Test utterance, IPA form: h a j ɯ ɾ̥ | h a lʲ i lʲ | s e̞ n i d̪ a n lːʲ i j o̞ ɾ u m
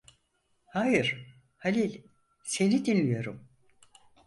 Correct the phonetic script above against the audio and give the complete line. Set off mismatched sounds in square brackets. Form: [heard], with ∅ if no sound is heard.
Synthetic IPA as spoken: h a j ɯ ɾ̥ | h a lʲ i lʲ | s e̞ n i d̪ [i] n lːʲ i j o̞ ɾ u m